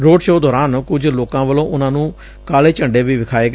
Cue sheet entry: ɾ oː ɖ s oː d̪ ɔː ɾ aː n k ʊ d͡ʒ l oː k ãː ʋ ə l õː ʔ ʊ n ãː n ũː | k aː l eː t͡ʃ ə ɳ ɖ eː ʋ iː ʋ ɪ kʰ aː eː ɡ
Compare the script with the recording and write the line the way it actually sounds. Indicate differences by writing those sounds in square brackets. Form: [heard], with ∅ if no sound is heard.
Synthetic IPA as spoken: ɾ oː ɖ [ʃ] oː d̪ ɔː ɾ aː n k ʊ d͡ʒ l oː k ãː ʋ ə l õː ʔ ʊ n ãː n ũː | k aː l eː t͡ʃ ə ɳ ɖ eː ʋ iː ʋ ɪ kʰ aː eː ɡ